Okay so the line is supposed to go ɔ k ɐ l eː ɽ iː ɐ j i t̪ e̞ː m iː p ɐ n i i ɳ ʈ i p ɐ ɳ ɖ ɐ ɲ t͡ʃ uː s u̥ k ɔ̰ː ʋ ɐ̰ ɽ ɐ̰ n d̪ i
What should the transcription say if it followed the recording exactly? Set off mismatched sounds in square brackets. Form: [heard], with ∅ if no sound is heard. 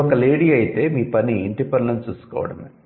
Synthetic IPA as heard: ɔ k ɐ l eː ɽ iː ɐ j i t̪ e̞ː m iː p ɐ n i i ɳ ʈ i p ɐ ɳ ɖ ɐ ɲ t͡ʃ uː s u̥ k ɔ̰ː ʋ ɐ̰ ɽ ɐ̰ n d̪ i